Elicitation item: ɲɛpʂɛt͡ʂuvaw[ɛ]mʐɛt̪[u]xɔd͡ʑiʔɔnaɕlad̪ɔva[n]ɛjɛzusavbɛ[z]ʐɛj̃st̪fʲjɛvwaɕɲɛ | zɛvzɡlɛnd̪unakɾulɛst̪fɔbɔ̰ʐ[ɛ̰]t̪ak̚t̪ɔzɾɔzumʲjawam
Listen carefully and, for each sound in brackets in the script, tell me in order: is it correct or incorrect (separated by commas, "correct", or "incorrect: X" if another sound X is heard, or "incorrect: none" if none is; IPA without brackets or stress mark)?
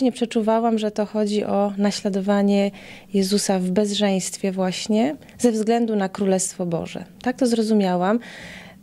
incorrect: a, incorrect: ɔ, incorrect: ɲ, correct, correct